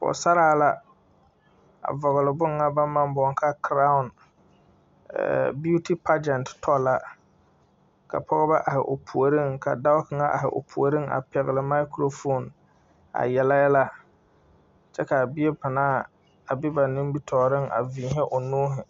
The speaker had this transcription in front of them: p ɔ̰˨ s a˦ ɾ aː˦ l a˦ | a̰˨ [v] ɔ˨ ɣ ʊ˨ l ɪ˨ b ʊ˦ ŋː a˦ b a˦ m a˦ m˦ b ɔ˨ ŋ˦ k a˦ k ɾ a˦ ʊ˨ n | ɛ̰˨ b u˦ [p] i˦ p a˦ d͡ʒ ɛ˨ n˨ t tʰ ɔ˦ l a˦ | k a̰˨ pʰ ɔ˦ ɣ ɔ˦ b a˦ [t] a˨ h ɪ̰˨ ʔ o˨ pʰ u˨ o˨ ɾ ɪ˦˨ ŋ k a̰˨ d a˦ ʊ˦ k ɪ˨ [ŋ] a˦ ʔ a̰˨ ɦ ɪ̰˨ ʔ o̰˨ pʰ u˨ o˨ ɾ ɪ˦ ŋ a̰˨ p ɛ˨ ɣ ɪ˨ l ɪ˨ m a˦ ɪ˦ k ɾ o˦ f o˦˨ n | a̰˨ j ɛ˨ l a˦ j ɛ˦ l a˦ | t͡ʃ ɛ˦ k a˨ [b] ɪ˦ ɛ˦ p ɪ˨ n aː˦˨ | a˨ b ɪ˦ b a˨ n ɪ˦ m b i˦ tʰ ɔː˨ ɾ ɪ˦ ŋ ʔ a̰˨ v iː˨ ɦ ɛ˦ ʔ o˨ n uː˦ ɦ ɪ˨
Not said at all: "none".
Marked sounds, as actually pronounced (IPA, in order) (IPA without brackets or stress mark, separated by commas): v, t, ʔ, ŋ, b